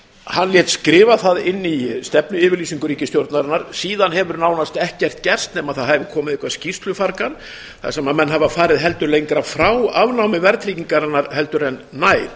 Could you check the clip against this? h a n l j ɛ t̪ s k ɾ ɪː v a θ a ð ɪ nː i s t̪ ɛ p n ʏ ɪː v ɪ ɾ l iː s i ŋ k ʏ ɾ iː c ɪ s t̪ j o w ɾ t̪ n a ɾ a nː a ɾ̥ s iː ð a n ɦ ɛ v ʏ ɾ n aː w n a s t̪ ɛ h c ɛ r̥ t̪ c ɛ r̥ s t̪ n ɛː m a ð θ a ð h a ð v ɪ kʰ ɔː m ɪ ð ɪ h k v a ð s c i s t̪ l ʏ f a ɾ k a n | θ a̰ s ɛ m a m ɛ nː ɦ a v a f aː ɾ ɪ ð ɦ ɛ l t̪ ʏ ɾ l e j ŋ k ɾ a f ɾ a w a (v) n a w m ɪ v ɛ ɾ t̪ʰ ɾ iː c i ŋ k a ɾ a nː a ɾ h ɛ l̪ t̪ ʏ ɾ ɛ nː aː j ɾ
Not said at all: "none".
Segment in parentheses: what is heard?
v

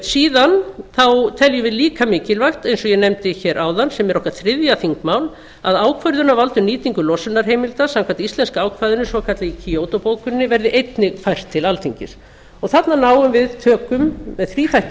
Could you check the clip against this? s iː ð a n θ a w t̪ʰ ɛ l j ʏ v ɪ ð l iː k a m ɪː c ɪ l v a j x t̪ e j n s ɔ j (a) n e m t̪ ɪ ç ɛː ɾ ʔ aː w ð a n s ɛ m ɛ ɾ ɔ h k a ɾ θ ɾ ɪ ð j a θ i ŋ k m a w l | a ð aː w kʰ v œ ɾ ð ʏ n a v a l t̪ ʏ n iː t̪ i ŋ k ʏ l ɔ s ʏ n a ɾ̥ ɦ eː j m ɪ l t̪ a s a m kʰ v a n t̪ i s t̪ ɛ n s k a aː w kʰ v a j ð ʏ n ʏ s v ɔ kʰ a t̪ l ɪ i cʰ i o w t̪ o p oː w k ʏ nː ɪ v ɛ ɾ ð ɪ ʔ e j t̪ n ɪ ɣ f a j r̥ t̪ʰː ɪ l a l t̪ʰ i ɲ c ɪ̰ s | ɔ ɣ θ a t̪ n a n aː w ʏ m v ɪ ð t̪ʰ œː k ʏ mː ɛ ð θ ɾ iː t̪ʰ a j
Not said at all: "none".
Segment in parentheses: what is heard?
ɛ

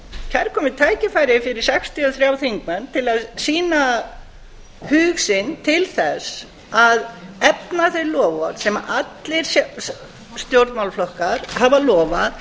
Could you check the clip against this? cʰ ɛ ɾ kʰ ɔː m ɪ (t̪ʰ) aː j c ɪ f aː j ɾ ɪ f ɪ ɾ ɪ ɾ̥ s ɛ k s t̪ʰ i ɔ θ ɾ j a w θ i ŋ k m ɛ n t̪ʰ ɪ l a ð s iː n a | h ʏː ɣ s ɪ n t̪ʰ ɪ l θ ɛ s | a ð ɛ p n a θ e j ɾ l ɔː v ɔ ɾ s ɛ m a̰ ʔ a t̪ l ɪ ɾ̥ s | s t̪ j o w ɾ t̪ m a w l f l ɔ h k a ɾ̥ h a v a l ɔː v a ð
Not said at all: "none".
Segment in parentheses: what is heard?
t̪ʰ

